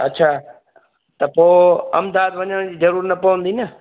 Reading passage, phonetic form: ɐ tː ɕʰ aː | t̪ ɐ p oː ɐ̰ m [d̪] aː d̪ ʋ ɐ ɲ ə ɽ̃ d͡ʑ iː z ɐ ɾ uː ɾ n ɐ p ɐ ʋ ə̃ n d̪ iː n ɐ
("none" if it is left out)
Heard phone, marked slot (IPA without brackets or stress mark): d̪